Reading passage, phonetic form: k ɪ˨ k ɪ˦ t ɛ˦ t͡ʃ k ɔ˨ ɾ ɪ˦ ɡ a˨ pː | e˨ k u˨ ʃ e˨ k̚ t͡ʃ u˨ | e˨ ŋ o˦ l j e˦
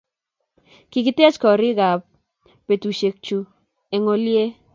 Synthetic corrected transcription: k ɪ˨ k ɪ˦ t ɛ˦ t͡ʃ k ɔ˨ ɾ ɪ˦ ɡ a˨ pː | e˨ t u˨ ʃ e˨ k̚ t͡ʃ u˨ | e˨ ŋ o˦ l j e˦